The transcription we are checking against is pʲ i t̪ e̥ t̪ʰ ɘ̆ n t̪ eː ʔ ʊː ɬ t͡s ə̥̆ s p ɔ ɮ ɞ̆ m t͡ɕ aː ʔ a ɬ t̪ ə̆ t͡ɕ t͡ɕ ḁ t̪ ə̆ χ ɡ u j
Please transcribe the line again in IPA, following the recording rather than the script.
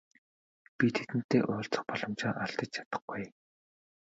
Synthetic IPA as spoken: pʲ i t̪ʰ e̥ t̪ ɘ̆ n t̪ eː ʔ ʊː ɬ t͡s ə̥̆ χ p ɔ ɮ ɞ̆ m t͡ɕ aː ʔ a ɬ t̪ ə̆ t͡ɕ t͡ɕʰ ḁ t̪ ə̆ χ ɡ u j